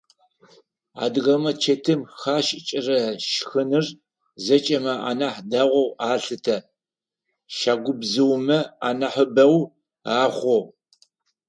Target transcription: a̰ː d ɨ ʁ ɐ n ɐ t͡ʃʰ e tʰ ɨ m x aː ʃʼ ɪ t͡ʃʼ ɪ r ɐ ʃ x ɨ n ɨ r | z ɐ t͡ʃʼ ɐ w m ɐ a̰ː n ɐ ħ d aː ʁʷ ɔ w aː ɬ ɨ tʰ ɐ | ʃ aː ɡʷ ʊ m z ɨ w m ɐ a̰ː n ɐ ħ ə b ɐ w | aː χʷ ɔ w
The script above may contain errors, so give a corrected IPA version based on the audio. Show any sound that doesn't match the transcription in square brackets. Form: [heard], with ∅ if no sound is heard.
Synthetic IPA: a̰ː d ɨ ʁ ɐ [m] ɐ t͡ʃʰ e tʰ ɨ m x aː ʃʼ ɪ t͡ʃʼ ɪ r ɐ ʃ x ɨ n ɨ r | z ɐ t͡ʃʼ ɐ [∅] m ɐ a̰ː n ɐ ħ d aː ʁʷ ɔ w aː ɬ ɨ tʰ ɐ | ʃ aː ɡʷ ʊ [b] z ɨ w m ɐ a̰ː n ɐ ħ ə b ɐ w | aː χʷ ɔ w

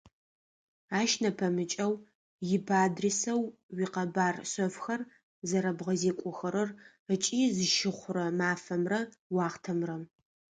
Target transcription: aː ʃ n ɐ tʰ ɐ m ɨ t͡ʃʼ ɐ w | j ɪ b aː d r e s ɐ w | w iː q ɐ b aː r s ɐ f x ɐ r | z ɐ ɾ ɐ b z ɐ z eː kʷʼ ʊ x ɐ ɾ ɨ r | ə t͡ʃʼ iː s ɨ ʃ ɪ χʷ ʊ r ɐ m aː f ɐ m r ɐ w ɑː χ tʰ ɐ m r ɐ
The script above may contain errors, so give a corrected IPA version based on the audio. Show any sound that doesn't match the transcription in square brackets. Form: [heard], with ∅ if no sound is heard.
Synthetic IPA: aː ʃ n ɐ [pʰ] ɐ m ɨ t͡ʃʼ ɐ w | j ɪ b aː d r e s ɐ w | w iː q ɐ b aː r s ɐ f x ɐ r | z ɐ ɾ ɐ b [ʁ] ɐ z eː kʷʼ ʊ x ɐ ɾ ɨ r | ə t͡ʃʼ iː [z] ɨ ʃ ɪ χʷ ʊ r ɐ m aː f ɐ m r ɐ w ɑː χ tʰ ɐ m r ɐ

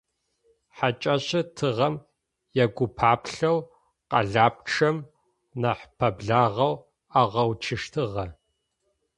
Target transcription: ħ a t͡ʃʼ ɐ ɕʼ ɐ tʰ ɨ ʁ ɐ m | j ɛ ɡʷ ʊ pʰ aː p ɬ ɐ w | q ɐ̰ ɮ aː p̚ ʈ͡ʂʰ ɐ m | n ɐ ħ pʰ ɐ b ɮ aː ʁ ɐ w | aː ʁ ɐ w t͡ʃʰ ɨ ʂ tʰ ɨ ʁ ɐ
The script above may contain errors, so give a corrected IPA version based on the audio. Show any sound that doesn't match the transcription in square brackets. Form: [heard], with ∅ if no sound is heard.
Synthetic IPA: ħ a t͡ʃʼ ɐ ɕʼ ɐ tʰ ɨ ʁ ɐ m | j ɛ ɡʷ ʊ pʰ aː p ɬ ɐ w | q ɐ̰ ɮ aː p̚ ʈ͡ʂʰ ɐ m | n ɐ ħ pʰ ɐ b ɮ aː ʁ ɐ w | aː ʁ ɐ w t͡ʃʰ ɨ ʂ tʰ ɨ ʁ ɐ

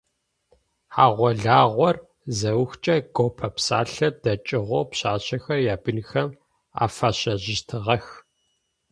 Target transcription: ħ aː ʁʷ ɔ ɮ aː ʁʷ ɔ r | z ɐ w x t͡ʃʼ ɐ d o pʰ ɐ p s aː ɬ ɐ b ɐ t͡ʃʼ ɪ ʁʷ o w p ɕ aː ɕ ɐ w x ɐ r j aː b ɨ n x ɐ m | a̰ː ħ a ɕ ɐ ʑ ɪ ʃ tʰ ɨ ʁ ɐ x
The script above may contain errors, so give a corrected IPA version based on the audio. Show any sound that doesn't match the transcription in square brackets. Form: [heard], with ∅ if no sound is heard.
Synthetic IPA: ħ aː ʁʷ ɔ ɮ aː ʁʷ ɔ r | z ɐ w x t͡ʃʼ ɐ [ɡ] o pʰ ɐ p s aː ɬ ɐ [d] ɐ t͡ʃʼ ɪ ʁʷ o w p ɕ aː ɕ ɐ [∅] x ɐ r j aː b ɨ n x ɐ m | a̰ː [f] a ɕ ɐ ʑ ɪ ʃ tʰ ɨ ʁ ɐ x

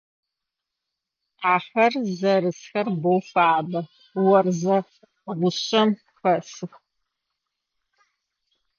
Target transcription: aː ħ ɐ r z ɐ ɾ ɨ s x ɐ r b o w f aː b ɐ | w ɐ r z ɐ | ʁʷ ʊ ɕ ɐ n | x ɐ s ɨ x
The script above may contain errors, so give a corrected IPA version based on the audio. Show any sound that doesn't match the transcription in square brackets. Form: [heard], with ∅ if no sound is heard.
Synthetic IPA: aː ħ ɐ r z ɐ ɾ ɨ s x ɐ r b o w f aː b ɐ | w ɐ r z ɐ | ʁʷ ʊ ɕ ɐ [m] | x ɐ s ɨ x

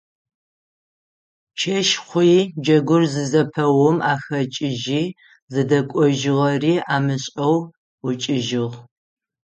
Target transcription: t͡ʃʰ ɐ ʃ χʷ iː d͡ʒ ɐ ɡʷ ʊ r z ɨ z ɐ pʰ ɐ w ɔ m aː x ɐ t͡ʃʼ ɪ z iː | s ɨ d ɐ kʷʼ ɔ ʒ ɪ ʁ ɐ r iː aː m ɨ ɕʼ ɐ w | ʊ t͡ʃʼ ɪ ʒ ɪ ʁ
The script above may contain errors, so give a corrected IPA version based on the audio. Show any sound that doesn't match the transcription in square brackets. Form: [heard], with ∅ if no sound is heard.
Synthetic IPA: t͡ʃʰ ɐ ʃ χʷ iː d͡ʒ ɐ ɡʷ ʊ r z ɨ z ɐ pʰ ɐ w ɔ m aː x ɐ t͡ʃʼ ɪ [ʒ] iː | [z] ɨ d ɐ kʷʼ ɔ ʒ ɪ ʁ ɐ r iː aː m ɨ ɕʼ ɐ w | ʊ t͡ʃʼ ɪ ʒ ɪ ʁ

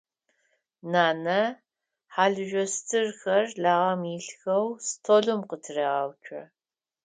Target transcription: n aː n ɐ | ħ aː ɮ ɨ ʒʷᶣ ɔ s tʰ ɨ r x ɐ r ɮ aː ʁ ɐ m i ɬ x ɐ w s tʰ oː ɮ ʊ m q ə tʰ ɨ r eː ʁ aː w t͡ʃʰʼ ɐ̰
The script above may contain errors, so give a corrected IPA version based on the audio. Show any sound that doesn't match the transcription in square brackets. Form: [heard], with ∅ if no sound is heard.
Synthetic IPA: n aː n ɐ | ħ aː ɮ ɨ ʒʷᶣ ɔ s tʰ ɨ r x ɐ r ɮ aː ʁ ɐ m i ɬ x ɐ w s tʰ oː ɮ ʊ m q ə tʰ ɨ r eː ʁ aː w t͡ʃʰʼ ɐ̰

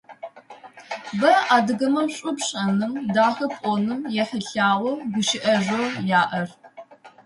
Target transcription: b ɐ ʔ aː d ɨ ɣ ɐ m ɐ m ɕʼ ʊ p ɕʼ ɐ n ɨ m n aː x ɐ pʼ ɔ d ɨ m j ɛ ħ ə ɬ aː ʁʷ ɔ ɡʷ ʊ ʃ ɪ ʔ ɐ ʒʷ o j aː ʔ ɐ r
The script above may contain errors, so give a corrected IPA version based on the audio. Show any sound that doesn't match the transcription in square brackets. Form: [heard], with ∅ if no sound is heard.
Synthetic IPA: b ɐ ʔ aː d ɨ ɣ ɐ m ɐ m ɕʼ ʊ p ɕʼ ɐ n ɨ m [d] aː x ɐ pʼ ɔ [n] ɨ m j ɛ ħ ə ɬ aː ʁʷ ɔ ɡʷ ʊ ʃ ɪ ʔ ɐ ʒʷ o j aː ʔ ɐ r

